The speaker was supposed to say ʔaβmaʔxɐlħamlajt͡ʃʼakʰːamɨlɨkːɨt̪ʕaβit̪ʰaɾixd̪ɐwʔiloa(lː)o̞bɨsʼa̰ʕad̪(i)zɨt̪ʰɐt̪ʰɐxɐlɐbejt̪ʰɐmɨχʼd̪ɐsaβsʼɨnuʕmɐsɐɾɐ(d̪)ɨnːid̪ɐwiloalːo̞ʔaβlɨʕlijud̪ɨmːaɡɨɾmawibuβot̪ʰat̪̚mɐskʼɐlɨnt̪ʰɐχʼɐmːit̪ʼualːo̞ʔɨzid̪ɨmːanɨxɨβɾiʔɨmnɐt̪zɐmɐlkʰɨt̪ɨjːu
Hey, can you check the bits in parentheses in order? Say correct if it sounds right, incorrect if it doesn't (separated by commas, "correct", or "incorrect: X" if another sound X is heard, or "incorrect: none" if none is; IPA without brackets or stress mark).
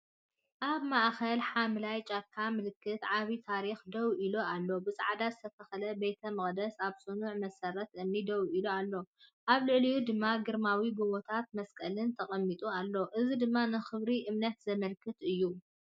correct, incorrect: a, incorrect: t̪